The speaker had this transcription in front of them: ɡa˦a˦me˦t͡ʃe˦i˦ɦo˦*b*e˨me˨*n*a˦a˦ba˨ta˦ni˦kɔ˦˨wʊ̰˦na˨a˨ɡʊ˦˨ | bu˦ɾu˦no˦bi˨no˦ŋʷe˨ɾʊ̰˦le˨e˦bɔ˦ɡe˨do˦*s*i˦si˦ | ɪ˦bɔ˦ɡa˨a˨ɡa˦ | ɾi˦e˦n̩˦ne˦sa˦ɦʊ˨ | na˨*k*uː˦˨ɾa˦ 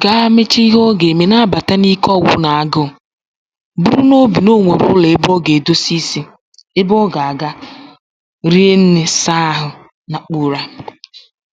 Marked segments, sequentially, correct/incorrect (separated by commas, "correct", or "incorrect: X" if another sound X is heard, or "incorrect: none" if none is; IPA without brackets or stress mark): incorrect: ɡ, correct, correct, incorrect: k͡p